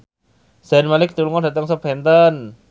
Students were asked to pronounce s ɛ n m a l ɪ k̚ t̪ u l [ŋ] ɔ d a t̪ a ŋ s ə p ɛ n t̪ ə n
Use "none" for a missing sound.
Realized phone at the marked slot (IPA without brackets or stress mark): ŋ